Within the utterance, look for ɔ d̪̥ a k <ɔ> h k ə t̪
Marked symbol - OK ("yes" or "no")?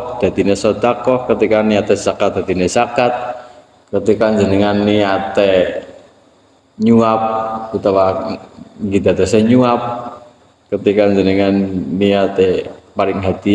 yes